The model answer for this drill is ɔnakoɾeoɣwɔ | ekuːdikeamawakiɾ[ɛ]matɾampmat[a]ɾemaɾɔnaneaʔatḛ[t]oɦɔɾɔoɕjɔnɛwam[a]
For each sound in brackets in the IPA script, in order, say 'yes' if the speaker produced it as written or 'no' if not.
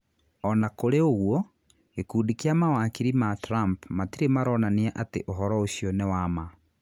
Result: no, no, no, yes

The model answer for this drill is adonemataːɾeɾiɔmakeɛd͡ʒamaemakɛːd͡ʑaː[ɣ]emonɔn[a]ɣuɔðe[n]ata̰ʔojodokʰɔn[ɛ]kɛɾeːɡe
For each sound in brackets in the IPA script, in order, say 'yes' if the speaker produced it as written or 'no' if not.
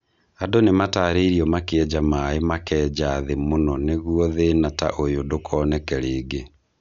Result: no, no, yes, yes

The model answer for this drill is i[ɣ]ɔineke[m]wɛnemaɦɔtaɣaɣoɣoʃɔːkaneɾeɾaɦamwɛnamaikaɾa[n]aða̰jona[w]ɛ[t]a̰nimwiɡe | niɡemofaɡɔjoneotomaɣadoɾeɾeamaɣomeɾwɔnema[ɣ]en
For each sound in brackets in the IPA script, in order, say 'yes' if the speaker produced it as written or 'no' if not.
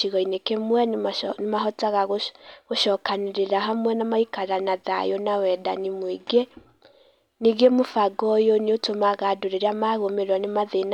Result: yes, yes, yes, yes, no, no

